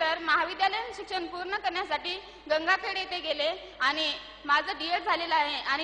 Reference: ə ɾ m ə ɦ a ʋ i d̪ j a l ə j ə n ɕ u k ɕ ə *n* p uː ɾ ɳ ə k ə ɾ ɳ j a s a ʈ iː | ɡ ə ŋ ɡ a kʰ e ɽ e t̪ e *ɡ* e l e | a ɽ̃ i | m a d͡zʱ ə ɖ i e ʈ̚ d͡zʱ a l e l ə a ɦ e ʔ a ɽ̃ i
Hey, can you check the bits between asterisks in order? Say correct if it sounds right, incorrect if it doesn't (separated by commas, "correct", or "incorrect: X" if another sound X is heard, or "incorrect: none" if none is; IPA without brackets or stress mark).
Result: correct, correct